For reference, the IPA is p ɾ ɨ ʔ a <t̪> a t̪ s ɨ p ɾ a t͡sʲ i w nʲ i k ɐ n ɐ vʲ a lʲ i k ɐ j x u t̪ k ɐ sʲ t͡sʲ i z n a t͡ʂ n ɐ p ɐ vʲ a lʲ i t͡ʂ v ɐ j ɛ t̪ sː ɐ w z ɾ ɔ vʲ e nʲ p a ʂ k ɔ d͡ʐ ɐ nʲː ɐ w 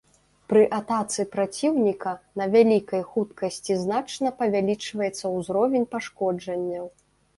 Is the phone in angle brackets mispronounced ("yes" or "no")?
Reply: no